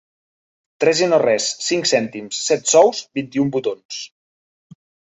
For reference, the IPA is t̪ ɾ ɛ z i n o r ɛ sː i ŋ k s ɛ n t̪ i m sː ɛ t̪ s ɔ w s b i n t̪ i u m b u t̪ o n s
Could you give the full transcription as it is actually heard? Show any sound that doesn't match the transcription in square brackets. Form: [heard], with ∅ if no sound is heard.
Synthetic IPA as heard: t̪ ɾ ɛ z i n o r ɛ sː i ŋ k s ɛ n t̪ i m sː ɛ t̪ s ɔ w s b i n t̪ i u m b u t̪ o n s